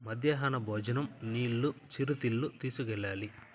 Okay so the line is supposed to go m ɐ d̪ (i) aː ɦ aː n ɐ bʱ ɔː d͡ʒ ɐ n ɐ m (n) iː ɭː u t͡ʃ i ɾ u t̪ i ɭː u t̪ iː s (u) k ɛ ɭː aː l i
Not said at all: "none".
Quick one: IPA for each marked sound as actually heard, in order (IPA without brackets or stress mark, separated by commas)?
j, n, u